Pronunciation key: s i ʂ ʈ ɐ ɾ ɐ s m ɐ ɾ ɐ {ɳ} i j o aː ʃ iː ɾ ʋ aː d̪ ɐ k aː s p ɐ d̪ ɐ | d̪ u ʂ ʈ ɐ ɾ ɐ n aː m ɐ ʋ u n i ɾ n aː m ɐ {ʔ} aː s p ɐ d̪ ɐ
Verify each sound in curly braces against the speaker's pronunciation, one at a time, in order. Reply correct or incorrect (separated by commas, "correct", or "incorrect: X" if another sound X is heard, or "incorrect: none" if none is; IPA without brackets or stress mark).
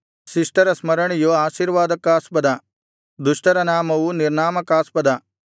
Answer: correct, incorrect: k